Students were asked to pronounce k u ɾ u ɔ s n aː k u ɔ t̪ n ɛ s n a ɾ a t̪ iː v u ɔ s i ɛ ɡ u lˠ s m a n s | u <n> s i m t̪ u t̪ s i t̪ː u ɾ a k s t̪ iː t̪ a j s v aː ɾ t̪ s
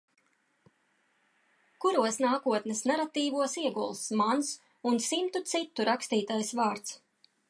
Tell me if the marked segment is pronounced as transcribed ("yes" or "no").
yes